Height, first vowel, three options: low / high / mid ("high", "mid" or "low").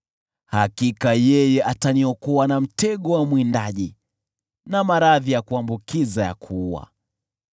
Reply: low